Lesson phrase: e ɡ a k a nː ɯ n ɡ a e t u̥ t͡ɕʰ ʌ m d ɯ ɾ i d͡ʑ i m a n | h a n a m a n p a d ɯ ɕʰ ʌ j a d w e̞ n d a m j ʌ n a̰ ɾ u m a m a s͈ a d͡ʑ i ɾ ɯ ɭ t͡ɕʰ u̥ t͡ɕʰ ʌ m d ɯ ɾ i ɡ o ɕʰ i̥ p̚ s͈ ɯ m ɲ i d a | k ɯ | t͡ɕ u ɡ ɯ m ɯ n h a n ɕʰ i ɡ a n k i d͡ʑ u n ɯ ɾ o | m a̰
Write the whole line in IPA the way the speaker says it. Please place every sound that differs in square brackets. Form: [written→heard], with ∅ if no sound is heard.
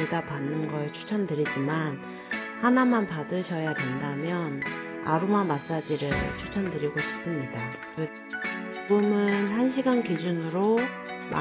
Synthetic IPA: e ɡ a [k→p] a nː ɯ n ɡ [a→ʌ] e [t→t͡ɕʰ] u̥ t͡ɕʰ ʌ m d ɯ ɾ i d͡ʑ i m a n | h a n a m a n p a d ɯ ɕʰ ʌ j a d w e̞ n d a m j ʌ n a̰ ɾ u m a m a s͈ a d͡ʑ i ɾ ɯ ɭ t͡ɕʰ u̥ t͡ɕʰ ʌ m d ɯ ɾ i ɡ o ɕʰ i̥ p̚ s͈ ɯ m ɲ i d a | k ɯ | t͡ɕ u ɡ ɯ m ɯ n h a n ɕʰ i ɡ a n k i d͡ʑ u n ɯ ɾ o | m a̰

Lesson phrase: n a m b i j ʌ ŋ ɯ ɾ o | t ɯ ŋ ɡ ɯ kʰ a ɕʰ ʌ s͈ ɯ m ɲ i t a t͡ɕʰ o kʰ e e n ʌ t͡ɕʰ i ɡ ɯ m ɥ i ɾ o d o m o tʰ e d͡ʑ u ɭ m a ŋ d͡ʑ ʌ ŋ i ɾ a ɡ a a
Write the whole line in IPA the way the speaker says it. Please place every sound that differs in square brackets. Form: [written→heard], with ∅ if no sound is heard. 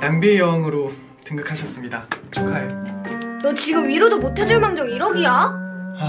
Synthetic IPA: n a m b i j ʌ ŋ ɯ ɾ o | t ɯ ŋ ɡ ɯ kʰ a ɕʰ ʌ s͈ ɯ m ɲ i [t→d] a t͡ɕʰ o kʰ [e→a] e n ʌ [t͡ɕʰ→t͡ɕ] i ɡ ɯ m ɥ i ɾ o d o m o tʰ e d͡ʑ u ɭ m a ŋ d͡ʑ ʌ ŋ i ɾ [a→ʌ] ɡ [a→i] a

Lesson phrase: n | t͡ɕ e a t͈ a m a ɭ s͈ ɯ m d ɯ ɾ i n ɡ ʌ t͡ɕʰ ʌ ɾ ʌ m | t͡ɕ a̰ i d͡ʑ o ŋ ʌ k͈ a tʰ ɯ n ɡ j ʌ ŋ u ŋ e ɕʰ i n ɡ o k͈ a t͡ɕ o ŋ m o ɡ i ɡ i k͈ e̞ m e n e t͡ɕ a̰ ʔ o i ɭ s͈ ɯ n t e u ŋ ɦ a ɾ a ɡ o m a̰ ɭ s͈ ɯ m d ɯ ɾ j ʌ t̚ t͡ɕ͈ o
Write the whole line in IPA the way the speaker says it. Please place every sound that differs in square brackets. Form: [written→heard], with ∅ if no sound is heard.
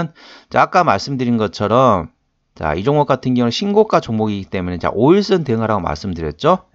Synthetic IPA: n | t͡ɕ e a [t͈→k͈] a m a ɭ s͈ ɯ m d ɯ ɾ i n ɡ ʌ t͡ɕʰ ʌ ɾ ʌ m | t͡ɕ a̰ i d͡ʑ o ŋ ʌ k͈ a tʰ ɯ n ɡ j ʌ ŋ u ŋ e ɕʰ i n ɡ o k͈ a t͡ɕ o ŋ m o ɡ i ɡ i [k͈→t͈] e̞ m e n e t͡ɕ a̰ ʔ o i ɭ s͈ ɯ n t e [u→ɯ] ŋ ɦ a ɾ a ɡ o m a̰ ɭ s͈ ɯ m d ɯ ɾ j ʌ t̚ t͡ɕ͈ o

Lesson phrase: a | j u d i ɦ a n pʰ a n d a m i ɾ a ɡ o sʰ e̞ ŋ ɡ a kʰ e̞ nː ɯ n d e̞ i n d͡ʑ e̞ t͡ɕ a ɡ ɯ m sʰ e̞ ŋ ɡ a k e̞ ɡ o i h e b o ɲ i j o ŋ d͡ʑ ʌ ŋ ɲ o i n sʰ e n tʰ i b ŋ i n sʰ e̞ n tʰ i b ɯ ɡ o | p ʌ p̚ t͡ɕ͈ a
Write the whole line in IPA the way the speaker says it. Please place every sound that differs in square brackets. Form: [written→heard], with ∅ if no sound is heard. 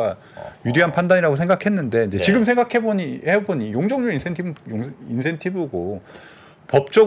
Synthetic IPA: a | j u d i ɦ a n pʰ a n d a [m→ɲ] i ɾ a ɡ o sʰ e̞ ŋ ɡ a kʰ e̞ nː ɯ n d e̞ i n d͡ʑ e̞ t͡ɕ [a→i] ɡ ɯ m sʰ e̞ ŋ ɡ a [k→kʰ] e̞ [ɡ→b] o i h e b o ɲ i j o ŋ d͡ʑ ʌ ŋ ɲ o i n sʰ e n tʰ i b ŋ i n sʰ e̞ n tʰ i b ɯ ɡ o | p ʌ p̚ t͡ɕ͈ [a→ʌ]

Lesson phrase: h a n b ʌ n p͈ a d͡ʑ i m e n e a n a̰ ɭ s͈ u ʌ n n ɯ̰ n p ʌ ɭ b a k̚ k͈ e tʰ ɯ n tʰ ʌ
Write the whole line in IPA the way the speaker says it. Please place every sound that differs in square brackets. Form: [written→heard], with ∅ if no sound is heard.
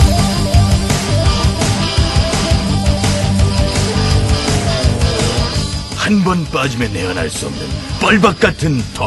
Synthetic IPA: h a n b ʌ n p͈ a d͡ʑ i m e n e [a→ʌ] n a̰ ɭ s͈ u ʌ [n→m] n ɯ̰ n p ʌ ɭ b a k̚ k͈ [e→a] tʰ ɯ n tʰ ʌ

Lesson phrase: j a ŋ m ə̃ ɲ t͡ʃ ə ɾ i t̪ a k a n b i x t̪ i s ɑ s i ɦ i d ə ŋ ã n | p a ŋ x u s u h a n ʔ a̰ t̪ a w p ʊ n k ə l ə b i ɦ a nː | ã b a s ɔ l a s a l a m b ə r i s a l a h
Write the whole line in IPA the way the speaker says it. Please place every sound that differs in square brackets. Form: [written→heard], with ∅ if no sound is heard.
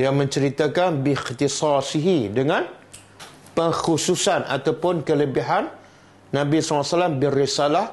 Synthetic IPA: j a ŋ m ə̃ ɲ t͡ʃ ə ɾ i t̪ a k a n b i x t̪ i s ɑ s i ɦ i d ə ŋ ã n | p [a→ə] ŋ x u s u [h→s] a n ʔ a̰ t̪ a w p ʊ n k ə l ə b i ɦ a nː | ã b [a→i] s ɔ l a s a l a m b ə r i s a l a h

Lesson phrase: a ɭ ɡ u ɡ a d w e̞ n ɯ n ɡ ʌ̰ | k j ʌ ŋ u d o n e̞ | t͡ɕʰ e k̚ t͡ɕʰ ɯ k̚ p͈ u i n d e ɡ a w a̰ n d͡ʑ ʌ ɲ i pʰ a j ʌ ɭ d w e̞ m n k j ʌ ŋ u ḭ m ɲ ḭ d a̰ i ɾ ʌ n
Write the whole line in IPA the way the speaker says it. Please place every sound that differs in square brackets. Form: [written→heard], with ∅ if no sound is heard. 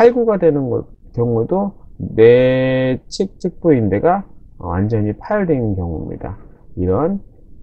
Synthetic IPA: a ɭ ɡ u ɡ a d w e̞ n ɯ n ɡ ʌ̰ | k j ʌ ŋ u d o n e̞ | t͡ɕʰ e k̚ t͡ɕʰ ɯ k̚ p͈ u i n d e ɡ a w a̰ n d͡ʑ ʌ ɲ i pʰ a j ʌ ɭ d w e̞ [m→n] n k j ʌ ŋ u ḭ m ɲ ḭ d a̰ i ɾ ʌ n

